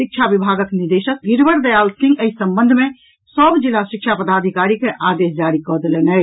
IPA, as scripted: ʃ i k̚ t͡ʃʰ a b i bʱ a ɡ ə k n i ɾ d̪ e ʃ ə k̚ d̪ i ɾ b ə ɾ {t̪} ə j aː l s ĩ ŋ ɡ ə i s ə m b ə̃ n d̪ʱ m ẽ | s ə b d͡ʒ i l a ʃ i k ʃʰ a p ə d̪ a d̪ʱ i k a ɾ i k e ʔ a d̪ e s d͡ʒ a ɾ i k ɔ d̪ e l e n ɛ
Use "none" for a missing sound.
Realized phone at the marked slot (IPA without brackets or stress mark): d̪